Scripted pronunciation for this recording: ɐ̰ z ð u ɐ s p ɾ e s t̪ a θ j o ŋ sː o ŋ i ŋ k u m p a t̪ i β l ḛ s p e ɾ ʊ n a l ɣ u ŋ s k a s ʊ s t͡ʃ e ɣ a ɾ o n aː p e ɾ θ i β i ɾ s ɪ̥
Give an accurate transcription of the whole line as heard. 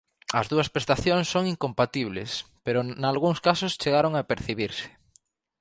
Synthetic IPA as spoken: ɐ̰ z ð u ɐ s p ɾ e s t̪ a θ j o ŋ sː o ŋ i ŋ k o m p a t̪ i β l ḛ s p e ɾ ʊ n a l ɣ u ŋ s k a s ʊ s t͡ʃ e ɣ a ɾ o ŋ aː p e ɾ θ i β i ɾ s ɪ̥